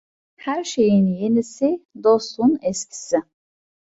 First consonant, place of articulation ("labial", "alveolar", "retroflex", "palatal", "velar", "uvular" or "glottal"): glottal